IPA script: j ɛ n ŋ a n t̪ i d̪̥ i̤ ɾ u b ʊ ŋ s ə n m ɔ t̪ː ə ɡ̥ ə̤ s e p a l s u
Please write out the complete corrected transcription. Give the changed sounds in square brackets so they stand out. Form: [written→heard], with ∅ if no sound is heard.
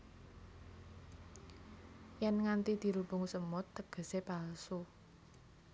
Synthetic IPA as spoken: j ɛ n ŋ a n t̪ i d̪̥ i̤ ɾ u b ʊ ŋ s ə [n→∅] m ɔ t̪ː ə ɡ̥ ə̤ s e p a l s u